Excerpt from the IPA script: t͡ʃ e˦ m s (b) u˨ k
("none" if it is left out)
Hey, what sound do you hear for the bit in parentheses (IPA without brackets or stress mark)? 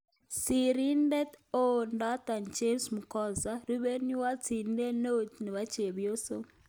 m